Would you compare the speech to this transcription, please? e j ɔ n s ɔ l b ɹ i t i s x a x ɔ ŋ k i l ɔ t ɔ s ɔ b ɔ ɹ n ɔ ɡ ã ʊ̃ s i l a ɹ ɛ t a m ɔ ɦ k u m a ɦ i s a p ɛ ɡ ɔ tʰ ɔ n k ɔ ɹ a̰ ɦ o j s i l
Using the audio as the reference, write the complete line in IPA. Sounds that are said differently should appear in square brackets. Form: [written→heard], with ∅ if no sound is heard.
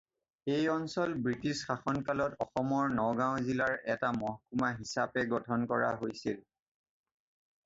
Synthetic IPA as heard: e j ɔ n s ɔ l b ɹ i t i s x a x ɔ [ŋ→n] k [i→a] l ɔ t ɔ [s→x] ɔ [b→m] ɔ ɹ n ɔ ɡ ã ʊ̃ [s→z] i l a ɹ ɛ t a m ɔ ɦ k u m a ɦ i s a p ɛ ɡ ɔ tʰ ɔ n k ɔ ɹ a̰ ɦ o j s i l